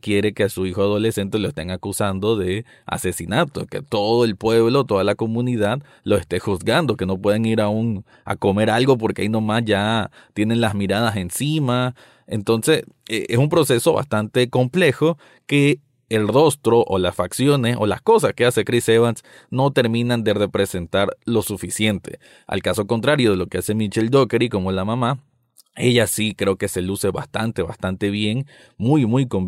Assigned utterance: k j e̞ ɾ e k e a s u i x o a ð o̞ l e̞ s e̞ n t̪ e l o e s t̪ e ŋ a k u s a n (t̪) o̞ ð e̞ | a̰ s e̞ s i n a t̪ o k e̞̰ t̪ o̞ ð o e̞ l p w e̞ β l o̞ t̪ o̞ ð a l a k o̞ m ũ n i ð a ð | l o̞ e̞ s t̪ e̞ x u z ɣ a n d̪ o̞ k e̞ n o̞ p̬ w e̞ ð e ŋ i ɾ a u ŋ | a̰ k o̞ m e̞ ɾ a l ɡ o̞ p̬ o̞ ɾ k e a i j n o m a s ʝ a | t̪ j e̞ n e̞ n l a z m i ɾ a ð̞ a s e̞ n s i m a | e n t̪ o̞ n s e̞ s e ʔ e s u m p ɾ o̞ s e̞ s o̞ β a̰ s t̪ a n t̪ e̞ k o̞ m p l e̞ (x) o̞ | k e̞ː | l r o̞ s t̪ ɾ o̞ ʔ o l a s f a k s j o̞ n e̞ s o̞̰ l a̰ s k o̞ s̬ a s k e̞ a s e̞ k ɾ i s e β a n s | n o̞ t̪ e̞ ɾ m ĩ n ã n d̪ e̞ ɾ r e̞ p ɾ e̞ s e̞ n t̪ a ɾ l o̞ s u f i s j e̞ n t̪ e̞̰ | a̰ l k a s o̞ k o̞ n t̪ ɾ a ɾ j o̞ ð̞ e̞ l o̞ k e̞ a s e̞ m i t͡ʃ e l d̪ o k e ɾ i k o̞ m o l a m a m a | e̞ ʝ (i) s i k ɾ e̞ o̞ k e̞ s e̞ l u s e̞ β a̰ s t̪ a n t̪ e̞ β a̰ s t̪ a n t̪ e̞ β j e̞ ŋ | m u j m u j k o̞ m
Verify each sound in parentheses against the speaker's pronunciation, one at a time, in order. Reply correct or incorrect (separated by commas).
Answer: incorrect, correct, incorrect